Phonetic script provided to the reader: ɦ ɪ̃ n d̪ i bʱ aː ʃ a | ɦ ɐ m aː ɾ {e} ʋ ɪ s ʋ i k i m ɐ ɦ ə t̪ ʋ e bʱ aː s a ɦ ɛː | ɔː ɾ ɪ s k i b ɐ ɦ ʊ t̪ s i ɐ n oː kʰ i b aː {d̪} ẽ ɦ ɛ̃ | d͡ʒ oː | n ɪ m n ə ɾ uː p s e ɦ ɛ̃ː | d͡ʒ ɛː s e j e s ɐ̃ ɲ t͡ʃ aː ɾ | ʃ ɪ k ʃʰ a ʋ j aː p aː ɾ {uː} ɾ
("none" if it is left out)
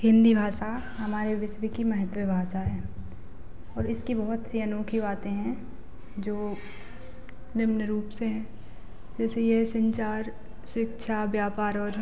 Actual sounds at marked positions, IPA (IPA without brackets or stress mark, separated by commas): e, t̪, ɔː